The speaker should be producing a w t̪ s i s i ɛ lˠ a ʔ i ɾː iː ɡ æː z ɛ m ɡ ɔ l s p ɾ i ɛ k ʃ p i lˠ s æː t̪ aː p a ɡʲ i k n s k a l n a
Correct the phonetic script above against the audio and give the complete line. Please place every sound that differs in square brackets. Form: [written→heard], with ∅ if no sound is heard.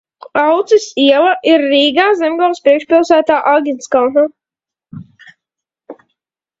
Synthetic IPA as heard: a w t̪ s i s i ɛ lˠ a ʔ i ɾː iː ɡ [æː→aː] z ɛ m ɡ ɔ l s p ɾ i ɛ k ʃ p i lˠ s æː t̪ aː [p→ʔ] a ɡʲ i [k→∅] n s k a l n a